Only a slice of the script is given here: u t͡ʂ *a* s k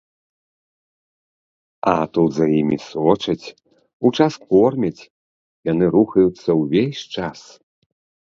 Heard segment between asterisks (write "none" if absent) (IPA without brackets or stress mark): a